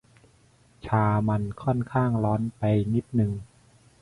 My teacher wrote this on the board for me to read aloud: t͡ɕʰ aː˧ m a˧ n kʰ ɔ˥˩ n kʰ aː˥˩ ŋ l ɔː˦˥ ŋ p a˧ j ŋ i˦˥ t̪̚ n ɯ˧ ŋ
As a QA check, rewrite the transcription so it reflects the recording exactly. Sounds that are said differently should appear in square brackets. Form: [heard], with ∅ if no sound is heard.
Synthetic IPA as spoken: t͡ɕʰ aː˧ m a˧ n kʰ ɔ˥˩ n kʰ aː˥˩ ŋ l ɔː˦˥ [n] p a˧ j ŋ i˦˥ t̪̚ n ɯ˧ ŋ